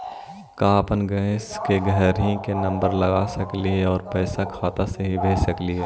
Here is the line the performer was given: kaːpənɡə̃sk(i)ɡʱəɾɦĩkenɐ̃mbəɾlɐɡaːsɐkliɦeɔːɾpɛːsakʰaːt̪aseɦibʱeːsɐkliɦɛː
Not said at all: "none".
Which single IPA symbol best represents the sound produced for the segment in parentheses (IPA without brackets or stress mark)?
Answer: e